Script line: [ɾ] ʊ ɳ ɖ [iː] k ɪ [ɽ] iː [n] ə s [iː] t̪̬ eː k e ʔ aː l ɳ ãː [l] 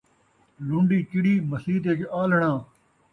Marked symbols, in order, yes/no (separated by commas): no, yes, yes, no, yes, no